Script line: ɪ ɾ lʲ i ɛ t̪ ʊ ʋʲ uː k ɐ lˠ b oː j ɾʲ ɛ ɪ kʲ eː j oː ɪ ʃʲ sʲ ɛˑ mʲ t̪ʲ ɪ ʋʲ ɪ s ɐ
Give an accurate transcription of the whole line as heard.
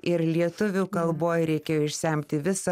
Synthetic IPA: ɪ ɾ lʲ i ɛ t̪ ʊ ʋʲ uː k ɐ lˠ b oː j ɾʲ ɛ ɪ kʲ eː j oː ɪ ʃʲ sʲ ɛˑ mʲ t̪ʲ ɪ ʋʲ ɪ s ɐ

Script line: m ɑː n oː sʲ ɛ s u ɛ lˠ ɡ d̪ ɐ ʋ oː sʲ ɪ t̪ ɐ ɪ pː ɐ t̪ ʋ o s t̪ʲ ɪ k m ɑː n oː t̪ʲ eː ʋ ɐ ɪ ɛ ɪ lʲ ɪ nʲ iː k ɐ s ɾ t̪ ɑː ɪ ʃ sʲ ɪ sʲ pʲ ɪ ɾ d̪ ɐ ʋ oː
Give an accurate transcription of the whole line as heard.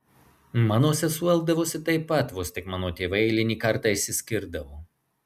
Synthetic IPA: m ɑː n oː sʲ ɛ s u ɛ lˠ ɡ d̪ ɐ ʋ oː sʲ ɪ t̪ ɐ ɪ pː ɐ t̪ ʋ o s t̪ʲ ɪ k m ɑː n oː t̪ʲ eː ʋ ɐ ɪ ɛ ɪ lʲ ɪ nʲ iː k ɐ ɾ t̪ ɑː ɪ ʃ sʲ ɪ sʲ kʲ ɪ ɾ d̪ ɐ ʋ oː

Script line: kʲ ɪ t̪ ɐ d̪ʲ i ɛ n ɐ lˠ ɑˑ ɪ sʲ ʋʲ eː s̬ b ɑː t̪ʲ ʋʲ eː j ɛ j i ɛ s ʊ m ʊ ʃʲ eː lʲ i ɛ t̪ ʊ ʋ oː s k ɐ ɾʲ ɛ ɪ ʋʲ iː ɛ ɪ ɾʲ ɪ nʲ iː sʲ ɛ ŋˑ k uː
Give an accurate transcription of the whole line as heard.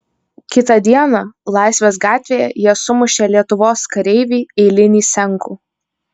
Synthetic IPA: kʲ ɪ t̪ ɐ d̪ʲ i ɛ n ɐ lˠ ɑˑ ɪ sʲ ʋʲ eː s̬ ɡ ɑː t̪ʲ ʋʲ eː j ɛ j i ɛ s ʊ m ʊ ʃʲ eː lʲ i ɛ t̪ ʊ ʋ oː s k ɐ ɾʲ ɛ ɪ ʋʲ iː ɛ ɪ lʲ ɪ nʲ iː sʲ ɛ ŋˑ k uː

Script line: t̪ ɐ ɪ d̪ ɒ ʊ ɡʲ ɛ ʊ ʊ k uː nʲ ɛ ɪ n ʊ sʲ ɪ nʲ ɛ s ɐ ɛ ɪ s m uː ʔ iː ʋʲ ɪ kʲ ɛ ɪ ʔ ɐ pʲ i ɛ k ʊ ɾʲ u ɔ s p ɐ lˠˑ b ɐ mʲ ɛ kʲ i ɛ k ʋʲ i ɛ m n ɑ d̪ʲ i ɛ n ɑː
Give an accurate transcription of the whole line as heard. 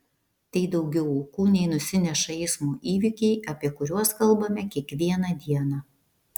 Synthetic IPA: t̪ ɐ ɪ d̪ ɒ ʊ ɡʲ ɛ ʊ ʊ k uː nʲ ɛ ɪ n ʊ sʲ ɪ nʲ ɛ ʃ ɐ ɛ ɪ s m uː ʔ iː ʋʲ ɪ kʲ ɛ ɪ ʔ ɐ pʲ i ɛ k ʊ ɾʲ u ɔ s k ɐ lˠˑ b ɐ mʲ ɛ kʲ i ɛ k ʋʲ i ɛ n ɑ d̪ʲ i ɛ n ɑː

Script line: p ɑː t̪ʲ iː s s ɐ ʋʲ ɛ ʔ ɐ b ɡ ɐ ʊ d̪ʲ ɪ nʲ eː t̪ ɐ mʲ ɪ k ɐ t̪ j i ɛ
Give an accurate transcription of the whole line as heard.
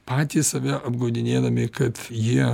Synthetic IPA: p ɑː t̪ʲ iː s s ɐ ʋʲ ɛ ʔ ɐ b ɡ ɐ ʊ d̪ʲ ɪ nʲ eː d̪ ɐ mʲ ɪ k ɐ t̪ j i ɛ

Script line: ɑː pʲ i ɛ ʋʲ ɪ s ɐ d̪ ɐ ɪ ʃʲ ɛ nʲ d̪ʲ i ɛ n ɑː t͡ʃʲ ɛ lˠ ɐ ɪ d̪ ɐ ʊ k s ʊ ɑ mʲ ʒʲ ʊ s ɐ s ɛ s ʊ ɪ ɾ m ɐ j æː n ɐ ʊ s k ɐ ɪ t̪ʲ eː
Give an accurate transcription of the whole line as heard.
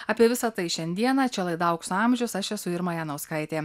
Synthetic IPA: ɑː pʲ i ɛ ʋʲ ɪ s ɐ t̪ ɐ ɪ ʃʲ ɛ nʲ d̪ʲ i ɛ n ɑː t͡ʃʲ ɛ lˠ ɐ ɪ d̪ ɐ ʊ k s ʊ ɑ mʲ ʒʲ ʊ s ɐ ʃ ɛ s ʊ ɪ ɾ m ɐ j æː n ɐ ʊ s k ɐ ɪ t̪ʲ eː

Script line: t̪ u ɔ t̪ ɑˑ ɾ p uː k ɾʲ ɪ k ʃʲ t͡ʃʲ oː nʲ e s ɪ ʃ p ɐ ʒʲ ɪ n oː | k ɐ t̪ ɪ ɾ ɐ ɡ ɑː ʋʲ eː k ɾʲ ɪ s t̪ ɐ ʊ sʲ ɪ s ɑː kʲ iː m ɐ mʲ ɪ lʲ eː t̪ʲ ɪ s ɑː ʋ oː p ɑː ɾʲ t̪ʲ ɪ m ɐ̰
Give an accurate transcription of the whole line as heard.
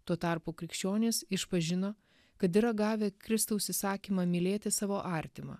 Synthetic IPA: t̪ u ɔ t̪ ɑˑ ɾ p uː k ɾʲ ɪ k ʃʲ t͡ʃʲ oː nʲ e s ɪ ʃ p ɐ ʒʲ ɪ n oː | k ɐ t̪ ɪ ɾ ɐ ɡ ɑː ʋʲ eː k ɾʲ ɪ s t̪ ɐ ʊ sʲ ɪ s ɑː kʲ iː m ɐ mʲ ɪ lʲ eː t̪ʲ ɪ s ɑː ʋ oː ʔ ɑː ɾʲ t̪ʲ ɪ m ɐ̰

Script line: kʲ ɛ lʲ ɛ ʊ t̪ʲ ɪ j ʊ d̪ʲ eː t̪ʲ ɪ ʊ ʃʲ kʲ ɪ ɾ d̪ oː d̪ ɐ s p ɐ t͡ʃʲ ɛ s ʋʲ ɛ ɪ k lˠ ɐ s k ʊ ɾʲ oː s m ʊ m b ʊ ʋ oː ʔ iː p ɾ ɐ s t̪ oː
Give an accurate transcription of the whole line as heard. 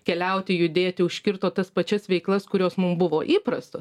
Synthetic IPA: kʲ ɛ lʲ ɛ ʊ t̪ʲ ɪ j ʊ d̪ʲ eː t̪ʲ ɪ ʊ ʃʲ kʲ ɪ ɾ t̪ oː t̪ ɐ s p ɐ t͡ʃʲ ɛ s ʋʲ ɛ ɪ k lˠ ɐ s k ʊ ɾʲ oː s m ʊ m b ʊ ʋ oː ʔ iː p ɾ ɐ s t̪ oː

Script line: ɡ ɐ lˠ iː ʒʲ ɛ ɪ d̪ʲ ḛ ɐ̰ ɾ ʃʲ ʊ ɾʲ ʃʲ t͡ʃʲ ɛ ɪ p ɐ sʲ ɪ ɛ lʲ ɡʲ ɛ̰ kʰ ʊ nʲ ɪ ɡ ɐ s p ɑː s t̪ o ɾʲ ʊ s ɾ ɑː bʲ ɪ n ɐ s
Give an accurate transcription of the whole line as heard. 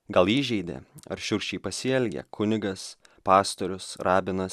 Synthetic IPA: ɡ ɐ lˠ iː ʒʲ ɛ ɪ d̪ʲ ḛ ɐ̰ ɾ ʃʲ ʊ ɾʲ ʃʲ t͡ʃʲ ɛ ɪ p ɐ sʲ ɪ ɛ lʲ ɡʲ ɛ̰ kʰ ʊ nʲ ɪ ɡ ɐ s p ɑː s t̪ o ɾʲ ʊ s ɾ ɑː bʲ ɪ n ɐ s

